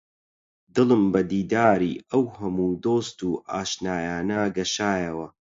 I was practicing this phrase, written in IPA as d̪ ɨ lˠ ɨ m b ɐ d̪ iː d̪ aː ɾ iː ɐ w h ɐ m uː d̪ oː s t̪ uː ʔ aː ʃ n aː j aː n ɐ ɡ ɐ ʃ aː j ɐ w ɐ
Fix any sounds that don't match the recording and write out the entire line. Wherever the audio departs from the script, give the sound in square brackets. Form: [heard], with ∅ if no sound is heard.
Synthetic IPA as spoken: d̪ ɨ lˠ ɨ m b ɐ d̪ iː d̪ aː ɾ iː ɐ w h ɐ m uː d̪ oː s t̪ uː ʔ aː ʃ n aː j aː n ɐ ɡ ɐ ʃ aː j ɐ w ɐ